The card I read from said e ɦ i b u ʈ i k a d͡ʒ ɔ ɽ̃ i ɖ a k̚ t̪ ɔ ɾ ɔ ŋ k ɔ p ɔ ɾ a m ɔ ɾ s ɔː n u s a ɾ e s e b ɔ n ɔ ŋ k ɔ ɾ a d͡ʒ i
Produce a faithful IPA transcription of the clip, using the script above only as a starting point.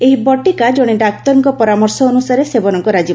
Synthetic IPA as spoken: e ɦ i b ɔ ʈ i k a d͡ʒ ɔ ɽ̃ i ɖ a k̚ t̪ ɔ ɾ ɔ ŋ k ɔ p ɔ ɾ a m ɔ ɾ s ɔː n u s a ɾ e s e b ɔ n ɔ ŋ k ɔ ɾ a d͡ʒ i